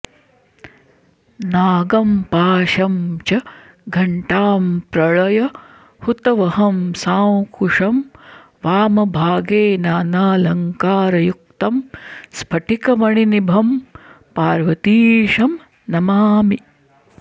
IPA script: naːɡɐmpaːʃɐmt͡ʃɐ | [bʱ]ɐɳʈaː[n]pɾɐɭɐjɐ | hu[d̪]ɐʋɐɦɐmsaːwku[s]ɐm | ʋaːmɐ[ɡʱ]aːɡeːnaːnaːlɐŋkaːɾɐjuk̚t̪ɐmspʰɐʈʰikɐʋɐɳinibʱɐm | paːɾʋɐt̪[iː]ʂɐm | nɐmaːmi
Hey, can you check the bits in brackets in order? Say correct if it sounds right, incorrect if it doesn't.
incorrect, incorrect, incorrect, incorrect, incorrect, correct

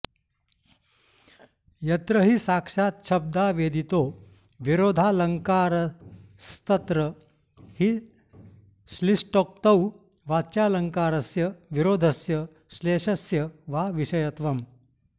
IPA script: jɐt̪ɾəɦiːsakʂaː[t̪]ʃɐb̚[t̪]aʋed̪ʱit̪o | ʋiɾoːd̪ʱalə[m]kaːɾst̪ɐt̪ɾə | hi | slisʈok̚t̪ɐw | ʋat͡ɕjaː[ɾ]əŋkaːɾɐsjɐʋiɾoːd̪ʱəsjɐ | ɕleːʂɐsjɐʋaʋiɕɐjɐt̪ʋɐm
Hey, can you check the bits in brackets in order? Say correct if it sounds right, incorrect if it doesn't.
correct, incorrect, incorrect, incorrect

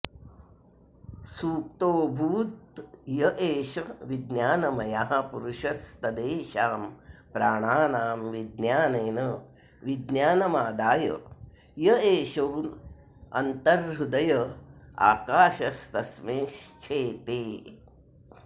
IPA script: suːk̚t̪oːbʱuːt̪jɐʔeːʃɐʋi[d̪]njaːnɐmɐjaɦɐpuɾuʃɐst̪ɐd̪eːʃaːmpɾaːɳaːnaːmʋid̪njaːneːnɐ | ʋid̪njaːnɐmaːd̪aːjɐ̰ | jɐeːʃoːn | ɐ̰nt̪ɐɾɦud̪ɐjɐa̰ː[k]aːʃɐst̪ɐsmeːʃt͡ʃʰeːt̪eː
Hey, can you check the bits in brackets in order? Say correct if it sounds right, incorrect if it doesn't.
correct, correct

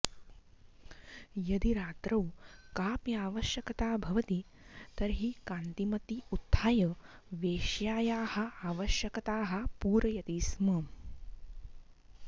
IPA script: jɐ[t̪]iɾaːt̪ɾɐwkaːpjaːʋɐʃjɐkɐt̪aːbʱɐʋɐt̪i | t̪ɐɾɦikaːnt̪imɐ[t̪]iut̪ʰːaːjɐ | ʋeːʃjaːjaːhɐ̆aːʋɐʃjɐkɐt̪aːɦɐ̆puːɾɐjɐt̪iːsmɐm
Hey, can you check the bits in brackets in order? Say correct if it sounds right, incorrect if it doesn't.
incorrect, correct

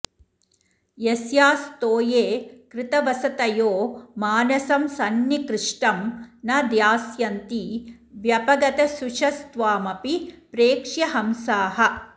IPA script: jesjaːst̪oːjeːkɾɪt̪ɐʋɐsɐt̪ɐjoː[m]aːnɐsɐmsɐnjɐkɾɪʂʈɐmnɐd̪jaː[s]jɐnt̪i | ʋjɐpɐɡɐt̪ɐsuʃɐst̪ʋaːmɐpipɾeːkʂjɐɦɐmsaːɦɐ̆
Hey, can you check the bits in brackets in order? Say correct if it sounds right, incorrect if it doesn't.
correct, correct

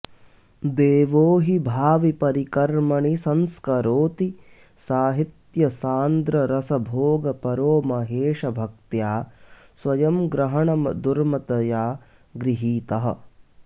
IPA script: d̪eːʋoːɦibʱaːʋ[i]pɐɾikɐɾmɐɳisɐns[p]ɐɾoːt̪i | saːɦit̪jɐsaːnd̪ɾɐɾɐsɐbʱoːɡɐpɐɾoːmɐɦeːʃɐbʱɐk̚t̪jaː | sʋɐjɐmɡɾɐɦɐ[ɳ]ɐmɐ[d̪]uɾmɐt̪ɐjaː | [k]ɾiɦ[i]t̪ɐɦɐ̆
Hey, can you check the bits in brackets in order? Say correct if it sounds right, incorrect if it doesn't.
correct, incorrect, correct, correct, incorrect, incorrect

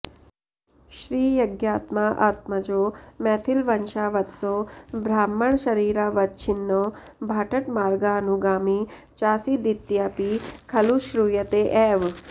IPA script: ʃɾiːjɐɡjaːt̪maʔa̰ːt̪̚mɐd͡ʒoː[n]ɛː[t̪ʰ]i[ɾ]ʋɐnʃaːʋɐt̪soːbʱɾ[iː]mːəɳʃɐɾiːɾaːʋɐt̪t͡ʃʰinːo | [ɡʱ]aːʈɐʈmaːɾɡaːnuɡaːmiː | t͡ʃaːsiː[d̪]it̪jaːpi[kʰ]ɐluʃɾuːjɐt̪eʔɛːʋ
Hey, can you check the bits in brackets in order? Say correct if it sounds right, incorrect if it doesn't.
incorrect, correct, incorrect, incorrect, incorrect, correct, correct

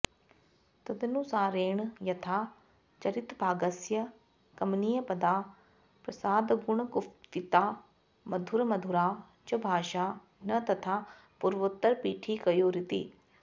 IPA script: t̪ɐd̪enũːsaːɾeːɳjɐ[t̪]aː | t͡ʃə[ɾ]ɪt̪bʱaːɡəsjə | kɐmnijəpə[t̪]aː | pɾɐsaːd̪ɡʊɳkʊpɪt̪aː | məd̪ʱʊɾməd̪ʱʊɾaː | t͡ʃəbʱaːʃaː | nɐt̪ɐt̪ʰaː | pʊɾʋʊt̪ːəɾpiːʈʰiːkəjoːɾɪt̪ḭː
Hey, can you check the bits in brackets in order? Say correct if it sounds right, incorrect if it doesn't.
incorrect, correct, incorrect

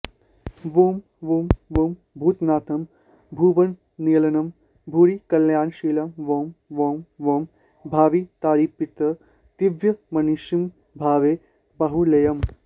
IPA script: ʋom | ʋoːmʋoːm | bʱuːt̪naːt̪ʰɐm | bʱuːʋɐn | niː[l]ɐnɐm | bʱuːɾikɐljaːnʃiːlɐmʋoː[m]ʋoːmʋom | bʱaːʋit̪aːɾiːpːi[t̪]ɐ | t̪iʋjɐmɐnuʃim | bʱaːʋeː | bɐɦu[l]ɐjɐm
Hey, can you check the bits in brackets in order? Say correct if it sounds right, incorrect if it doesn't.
correct, correct, correct, correct

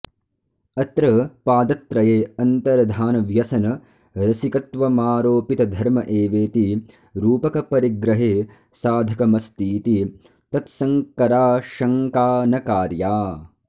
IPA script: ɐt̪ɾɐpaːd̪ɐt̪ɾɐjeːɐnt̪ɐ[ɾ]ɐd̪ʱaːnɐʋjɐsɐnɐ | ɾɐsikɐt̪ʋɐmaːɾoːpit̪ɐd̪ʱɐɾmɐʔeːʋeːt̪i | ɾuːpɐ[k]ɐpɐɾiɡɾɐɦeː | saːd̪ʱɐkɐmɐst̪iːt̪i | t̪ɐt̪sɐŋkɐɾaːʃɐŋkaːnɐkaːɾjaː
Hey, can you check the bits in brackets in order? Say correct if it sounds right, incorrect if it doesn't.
correct, correct

